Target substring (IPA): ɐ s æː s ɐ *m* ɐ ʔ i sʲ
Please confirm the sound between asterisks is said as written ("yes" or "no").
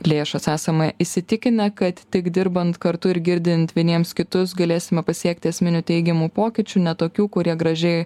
yes